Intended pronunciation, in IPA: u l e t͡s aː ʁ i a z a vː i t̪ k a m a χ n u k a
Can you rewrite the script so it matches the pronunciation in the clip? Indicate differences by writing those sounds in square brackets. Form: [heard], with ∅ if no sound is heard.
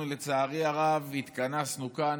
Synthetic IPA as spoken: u l e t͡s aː ʁ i a [ʁ] a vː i t̪ k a [n] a [s] n u k a